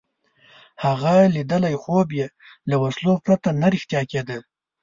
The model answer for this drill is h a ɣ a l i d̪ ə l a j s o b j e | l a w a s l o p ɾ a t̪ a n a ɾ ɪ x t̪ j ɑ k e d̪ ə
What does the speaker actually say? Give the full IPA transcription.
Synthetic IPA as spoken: h a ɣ a l i d̪ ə l a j x o b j e | l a w a s l o p ɾ a t̪ a n a ɾ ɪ x t̪ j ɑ k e d̪ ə